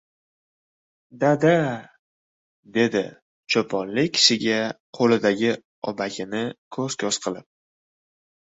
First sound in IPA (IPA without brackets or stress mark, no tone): d̪